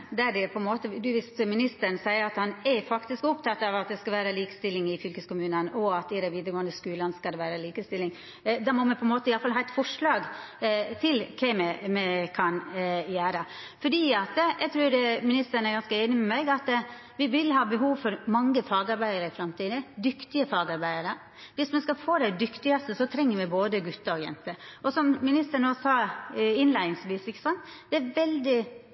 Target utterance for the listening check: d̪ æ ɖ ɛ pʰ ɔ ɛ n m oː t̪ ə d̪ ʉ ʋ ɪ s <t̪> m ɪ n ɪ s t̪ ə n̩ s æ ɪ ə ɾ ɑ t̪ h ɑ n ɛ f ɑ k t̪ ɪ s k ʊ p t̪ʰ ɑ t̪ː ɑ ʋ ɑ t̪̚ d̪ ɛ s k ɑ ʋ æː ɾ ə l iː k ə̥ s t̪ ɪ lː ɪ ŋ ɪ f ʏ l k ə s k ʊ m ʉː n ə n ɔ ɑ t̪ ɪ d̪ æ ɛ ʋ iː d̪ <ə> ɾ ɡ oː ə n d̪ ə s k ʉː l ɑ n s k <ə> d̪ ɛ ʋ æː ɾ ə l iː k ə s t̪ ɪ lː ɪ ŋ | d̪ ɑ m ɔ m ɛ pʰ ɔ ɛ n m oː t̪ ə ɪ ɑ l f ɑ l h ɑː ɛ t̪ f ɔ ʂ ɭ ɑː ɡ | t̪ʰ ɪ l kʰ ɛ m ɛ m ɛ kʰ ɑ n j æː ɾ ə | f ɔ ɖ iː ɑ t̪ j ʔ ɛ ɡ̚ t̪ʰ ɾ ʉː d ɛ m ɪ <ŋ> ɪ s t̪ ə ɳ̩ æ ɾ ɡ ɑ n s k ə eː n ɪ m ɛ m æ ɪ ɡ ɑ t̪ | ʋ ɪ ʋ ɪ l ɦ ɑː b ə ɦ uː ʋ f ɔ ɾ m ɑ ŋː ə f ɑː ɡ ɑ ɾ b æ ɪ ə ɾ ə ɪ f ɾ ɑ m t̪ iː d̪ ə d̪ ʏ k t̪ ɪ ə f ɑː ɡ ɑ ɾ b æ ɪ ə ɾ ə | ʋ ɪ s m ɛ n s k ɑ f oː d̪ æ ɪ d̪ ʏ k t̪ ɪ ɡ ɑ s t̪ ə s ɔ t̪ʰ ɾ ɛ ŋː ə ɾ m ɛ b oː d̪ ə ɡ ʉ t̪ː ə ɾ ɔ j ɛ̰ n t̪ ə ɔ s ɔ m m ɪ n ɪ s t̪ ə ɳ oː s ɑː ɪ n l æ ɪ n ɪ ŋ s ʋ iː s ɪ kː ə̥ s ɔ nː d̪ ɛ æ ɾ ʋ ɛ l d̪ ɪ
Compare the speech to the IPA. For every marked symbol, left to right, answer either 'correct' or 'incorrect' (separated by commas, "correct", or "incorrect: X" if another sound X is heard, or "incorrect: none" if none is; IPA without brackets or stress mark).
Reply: correct, correct, incorrect: ɑ, incorrect: n